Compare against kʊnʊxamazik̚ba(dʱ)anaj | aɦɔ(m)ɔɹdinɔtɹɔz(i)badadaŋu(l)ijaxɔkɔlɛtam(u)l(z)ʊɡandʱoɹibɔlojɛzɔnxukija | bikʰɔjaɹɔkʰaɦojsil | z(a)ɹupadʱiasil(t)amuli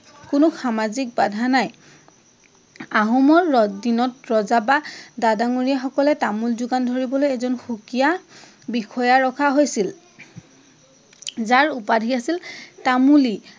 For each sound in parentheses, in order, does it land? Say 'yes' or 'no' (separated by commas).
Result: yes, yes, no, no, yes, yes, yes, yes